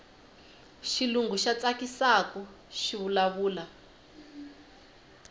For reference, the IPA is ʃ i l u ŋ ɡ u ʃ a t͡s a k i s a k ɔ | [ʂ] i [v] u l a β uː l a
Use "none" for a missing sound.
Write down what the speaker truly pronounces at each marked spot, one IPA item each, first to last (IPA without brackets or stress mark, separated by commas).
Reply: ʃ, β